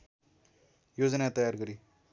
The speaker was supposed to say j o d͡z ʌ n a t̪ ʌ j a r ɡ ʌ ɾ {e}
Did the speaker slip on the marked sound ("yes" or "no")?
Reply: yes